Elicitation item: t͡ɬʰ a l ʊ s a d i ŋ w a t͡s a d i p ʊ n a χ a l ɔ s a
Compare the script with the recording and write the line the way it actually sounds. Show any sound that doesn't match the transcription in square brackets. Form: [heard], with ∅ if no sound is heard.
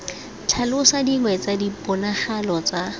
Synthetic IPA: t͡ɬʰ a l ʊ s a d i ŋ w [ɛ] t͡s a d i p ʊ n a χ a l ɔ [t͡s] a

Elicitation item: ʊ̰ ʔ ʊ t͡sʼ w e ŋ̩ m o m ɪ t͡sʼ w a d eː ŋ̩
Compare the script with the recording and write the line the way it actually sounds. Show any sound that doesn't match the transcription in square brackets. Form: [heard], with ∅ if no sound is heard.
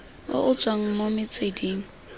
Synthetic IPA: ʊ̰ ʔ ʊ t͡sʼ w [a] ŋ̩ m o m ɪ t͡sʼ w [e] d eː ŋ̩

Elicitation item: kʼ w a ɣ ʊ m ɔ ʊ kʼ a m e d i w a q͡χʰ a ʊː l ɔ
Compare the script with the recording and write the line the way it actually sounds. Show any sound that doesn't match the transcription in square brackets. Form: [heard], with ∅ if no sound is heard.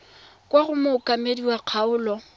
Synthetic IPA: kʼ w a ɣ ʊ m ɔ ʊ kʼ a m e d i w a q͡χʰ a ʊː l ɔ

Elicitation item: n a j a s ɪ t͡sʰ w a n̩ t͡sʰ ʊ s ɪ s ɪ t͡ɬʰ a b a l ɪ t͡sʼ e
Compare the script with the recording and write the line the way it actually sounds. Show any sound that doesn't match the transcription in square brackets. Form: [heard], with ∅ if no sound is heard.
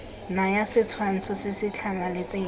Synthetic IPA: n a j a s ɪ t͡sʰ w a n̩ t͡sʰ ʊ s ɪ s ɪ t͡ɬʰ a [m] a l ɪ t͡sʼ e

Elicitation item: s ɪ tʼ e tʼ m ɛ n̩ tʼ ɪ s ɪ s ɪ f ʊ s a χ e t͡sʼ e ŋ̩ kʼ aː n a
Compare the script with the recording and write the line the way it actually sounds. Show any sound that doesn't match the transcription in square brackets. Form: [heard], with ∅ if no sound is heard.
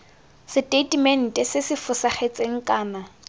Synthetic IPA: s ɪ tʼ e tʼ m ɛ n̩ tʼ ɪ s ɪ s ɪ f ʊ s a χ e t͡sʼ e ŋ̩ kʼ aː n a

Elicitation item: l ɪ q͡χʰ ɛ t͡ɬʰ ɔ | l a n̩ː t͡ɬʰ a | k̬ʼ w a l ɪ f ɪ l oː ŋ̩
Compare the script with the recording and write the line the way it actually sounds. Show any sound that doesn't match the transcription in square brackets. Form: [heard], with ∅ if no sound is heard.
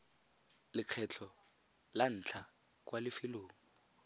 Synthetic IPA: l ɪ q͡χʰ ɛ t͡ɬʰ ɔ | l a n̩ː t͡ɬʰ a | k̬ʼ w a l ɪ f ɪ l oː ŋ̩

